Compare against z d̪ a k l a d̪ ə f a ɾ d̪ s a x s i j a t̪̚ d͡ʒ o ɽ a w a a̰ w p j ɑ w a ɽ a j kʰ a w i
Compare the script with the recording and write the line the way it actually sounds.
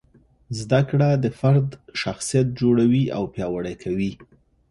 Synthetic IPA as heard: z d̪ a k ɽ a d̪ ə f a ɾ d̪ ʃ a x s i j a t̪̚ d͡ʒ o ɽ a w i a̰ w p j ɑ w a ɽ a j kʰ a w i